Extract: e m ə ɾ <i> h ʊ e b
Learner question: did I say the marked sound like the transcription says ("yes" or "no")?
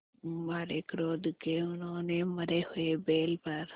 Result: no